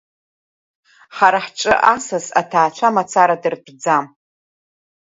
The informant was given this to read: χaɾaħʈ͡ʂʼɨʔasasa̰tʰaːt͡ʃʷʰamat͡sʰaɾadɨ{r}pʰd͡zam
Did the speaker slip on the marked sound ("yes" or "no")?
no